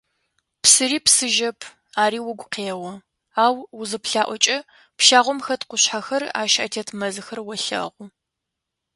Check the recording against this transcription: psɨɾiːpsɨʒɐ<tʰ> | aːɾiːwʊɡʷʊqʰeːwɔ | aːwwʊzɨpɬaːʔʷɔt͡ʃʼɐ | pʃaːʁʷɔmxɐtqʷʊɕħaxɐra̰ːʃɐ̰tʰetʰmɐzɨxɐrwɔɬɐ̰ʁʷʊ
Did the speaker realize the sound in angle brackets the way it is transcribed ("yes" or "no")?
no